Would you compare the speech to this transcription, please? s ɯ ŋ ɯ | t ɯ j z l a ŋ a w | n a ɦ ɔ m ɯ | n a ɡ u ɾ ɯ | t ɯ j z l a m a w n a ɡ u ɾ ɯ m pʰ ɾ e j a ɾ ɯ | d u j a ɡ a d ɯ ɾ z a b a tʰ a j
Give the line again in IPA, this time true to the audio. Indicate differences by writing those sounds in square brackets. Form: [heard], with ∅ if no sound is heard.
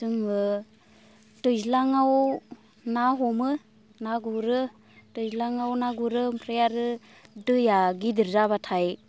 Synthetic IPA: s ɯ ŋ ɯ | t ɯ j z l a ŋ a w | n a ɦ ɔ m ɯ | n a ɡ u ɾ ɯ | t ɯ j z l a [ŋ] a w n a ɡ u ɾ ɯ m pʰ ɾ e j a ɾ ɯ | d [ɯ] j a ɡ [i] d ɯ ɾ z a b a tʰ a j